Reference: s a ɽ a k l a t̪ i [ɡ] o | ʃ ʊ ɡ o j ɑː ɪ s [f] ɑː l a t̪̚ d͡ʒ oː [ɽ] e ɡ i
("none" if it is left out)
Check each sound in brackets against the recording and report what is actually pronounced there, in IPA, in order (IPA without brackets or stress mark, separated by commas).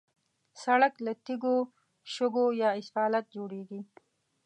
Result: ɡ, f, ɽ